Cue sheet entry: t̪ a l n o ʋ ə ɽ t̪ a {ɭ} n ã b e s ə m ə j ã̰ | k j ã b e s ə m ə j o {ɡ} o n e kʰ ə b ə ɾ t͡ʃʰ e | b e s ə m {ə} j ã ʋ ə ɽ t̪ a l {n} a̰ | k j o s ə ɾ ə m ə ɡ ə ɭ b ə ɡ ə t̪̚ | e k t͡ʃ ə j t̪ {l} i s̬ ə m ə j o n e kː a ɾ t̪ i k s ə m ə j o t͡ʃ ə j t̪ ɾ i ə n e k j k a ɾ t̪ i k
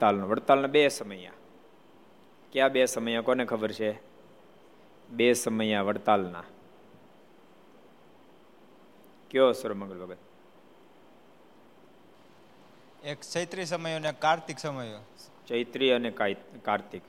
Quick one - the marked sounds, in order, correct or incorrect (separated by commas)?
incorrect, incorrect, correct, correct, incorrect